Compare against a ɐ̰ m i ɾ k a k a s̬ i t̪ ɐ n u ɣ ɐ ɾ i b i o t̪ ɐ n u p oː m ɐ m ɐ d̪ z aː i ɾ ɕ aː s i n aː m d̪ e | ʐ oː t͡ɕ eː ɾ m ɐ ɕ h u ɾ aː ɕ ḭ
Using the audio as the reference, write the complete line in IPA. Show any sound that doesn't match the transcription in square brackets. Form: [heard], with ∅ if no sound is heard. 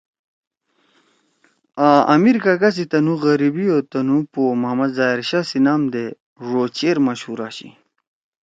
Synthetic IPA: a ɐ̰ m i ɾ k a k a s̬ i t̪ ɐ n u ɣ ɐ ɾ i b i o t̪ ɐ n u p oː m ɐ m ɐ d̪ z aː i ɾ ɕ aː s i n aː m d̪ e | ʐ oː t͡ɕ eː ɾ m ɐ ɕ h u ɾ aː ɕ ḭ